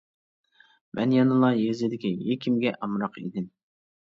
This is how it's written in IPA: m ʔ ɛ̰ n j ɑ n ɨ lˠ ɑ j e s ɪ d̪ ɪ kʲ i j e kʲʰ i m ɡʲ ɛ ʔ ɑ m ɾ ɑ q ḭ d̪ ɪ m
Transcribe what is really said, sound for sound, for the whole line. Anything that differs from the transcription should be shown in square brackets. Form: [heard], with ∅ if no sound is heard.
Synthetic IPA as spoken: m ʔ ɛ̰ n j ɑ n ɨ lˠ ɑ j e [z] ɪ d̪ ɪ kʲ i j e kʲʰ i m ɡʲ ɛ ʔ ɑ m ɾ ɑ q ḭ d̪ ɪ m